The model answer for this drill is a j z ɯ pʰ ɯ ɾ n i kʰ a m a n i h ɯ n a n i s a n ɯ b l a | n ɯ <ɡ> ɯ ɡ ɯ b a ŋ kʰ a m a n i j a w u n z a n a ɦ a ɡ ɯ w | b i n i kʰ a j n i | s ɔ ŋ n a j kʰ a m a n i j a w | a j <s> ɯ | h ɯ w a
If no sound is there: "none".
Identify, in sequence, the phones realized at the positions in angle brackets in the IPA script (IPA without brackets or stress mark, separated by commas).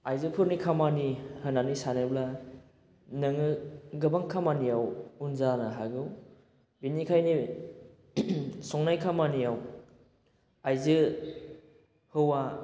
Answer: ŋ, z